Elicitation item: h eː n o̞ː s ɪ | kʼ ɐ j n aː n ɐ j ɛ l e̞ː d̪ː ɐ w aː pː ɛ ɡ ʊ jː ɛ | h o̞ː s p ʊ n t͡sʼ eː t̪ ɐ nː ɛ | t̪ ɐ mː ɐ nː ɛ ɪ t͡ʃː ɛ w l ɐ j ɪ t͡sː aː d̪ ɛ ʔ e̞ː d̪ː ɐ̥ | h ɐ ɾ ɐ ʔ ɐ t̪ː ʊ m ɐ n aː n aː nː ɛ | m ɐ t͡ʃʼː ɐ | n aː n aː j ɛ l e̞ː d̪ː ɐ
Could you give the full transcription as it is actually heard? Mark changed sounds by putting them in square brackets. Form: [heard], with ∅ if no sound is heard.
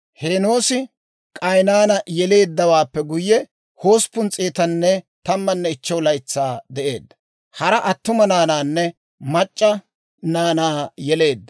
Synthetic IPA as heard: h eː n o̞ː s ɪ | kʼ ɐ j n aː n ɐ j ɛ l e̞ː d̪ː ɐ w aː pː ɛ ɡ ʊ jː ɛ | h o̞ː s p ʊ n t͡sʼ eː t̪ ɐ nː ɛ | t̪ ɐ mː ɐ nː ɛ ɪ t͡ʃː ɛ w l ɐ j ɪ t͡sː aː d̪ ɛ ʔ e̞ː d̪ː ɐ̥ | h ɐ ɾ ɐ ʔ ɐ t̪ː ʊ m ɐ n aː n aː nː ɛ | m ɐ t͡ʃʼː ɐ | n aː n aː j ɛ l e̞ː d̪ː ɐ